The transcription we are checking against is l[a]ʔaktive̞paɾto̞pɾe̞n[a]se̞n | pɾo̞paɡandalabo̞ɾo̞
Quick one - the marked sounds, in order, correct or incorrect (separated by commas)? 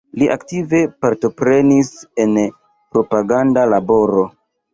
incorrect, incorrect